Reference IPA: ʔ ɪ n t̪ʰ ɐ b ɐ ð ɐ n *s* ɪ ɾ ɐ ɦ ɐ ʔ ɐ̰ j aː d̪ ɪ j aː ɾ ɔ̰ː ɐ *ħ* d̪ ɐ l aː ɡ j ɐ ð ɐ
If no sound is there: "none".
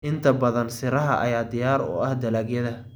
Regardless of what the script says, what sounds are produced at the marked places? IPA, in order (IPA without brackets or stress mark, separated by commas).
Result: s, h